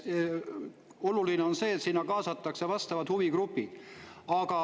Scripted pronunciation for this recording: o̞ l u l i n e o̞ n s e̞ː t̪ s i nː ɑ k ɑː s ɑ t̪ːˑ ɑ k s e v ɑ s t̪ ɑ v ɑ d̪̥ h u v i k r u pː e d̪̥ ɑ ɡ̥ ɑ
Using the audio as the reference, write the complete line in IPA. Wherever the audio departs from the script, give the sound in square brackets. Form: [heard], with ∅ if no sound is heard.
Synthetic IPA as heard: o̞ l u l i n e o̞ n s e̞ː t̪ s i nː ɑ k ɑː s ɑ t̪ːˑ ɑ k s e v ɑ s t̪ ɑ v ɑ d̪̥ h u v i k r u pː [i] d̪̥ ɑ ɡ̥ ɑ